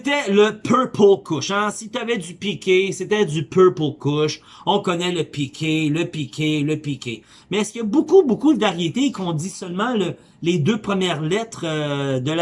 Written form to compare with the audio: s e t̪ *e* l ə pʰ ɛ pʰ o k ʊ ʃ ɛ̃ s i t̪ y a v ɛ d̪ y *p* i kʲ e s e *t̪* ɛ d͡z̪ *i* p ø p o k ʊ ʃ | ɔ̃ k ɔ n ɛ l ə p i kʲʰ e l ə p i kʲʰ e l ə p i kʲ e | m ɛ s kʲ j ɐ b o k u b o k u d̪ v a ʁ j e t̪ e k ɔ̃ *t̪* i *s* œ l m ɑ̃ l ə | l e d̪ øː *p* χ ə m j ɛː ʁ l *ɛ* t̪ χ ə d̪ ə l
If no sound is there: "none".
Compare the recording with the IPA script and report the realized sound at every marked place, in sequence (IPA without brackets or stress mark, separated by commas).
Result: ɛ, p, t̪, y, d̪, s, p, ɛ